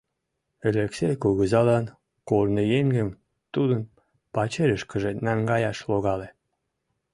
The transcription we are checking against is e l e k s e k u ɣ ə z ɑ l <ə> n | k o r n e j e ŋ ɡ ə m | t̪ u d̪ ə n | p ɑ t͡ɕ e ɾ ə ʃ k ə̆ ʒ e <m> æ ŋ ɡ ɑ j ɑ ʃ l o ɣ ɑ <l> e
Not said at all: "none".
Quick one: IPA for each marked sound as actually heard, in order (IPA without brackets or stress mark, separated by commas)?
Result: ɑ, n, l